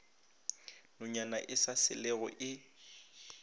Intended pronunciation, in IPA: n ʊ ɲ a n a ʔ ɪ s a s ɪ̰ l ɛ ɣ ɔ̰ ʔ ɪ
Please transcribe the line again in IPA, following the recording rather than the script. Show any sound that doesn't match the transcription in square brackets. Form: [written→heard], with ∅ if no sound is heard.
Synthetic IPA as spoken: n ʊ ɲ a n a ʔ ɪ s a s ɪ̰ l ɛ ɣ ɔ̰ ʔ ɪ